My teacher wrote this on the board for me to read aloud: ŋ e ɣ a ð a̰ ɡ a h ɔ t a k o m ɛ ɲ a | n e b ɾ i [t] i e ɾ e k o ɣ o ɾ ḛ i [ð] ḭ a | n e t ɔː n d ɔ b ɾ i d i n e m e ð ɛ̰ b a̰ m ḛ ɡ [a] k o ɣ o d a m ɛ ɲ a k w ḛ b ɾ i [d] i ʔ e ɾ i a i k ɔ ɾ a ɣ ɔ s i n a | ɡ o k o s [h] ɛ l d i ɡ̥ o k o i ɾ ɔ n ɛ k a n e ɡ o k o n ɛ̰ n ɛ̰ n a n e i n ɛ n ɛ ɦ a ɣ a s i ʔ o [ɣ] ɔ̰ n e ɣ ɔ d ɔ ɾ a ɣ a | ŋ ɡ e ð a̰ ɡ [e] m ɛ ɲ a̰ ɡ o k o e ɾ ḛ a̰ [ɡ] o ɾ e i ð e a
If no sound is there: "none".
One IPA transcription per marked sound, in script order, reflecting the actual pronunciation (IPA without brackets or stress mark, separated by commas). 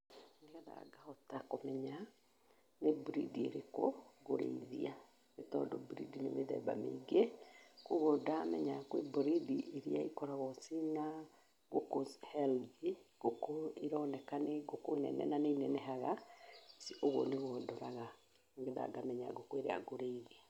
d, ð, e, d, h, ɣ, a, ɡ